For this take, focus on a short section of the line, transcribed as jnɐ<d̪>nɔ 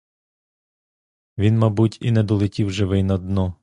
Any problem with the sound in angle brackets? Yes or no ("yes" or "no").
no